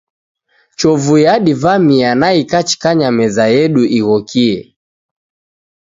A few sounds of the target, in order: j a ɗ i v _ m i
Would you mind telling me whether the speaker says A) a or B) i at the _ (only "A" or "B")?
A